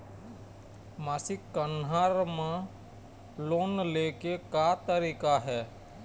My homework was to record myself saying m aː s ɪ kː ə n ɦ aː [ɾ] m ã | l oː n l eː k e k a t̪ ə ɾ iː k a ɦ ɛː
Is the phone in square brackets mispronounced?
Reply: no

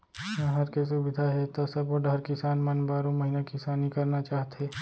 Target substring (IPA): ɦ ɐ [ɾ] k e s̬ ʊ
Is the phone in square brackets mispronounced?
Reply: no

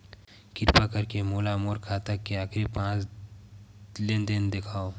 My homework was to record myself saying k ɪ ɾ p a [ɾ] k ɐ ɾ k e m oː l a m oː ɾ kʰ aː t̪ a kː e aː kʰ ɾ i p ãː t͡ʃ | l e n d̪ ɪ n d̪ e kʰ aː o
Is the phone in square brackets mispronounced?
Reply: yes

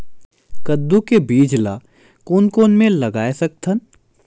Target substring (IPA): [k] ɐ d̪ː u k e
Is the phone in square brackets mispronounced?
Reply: no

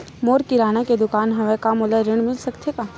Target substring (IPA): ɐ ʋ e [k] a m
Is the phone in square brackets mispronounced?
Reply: no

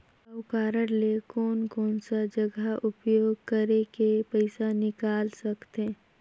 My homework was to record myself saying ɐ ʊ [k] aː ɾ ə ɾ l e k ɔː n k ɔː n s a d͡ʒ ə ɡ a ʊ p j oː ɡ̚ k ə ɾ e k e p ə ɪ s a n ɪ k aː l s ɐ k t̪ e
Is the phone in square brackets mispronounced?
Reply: no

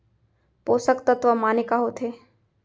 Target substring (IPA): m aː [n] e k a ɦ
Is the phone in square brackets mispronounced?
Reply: no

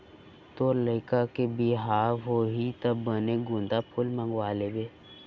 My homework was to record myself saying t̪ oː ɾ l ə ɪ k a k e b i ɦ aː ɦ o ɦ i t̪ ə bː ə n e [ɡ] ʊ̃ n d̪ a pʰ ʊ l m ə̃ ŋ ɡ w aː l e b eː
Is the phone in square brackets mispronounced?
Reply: no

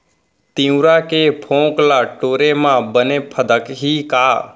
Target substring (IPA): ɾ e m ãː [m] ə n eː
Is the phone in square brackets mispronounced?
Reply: yes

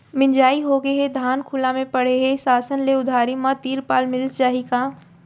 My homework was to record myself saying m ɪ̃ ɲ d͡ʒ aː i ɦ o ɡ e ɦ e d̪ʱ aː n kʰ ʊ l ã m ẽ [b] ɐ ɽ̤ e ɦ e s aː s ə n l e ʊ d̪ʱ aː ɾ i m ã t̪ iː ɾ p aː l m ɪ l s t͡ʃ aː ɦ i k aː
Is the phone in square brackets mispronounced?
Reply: yes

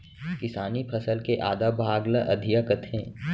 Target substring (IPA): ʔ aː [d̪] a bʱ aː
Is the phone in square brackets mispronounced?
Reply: no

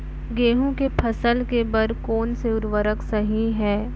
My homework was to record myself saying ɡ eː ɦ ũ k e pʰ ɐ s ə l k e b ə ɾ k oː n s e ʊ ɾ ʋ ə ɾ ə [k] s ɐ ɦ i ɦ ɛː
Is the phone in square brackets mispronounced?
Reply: no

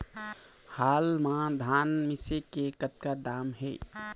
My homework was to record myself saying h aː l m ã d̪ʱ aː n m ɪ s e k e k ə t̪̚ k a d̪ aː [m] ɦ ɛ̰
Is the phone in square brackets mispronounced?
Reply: no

